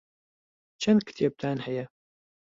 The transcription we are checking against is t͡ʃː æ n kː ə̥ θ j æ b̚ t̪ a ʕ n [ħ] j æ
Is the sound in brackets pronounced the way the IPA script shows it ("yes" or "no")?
yes